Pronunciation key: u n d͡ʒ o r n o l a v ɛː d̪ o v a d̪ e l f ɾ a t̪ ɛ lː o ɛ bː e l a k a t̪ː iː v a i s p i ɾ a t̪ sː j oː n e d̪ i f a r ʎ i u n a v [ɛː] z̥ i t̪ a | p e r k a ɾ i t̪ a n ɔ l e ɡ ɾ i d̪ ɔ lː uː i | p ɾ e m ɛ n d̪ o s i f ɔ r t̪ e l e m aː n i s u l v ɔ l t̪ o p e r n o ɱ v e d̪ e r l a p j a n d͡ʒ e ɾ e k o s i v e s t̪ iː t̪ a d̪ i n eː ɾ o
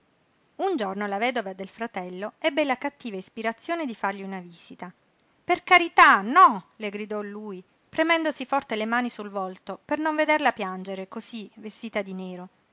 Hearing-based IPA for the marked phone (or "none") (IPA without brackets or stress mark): iː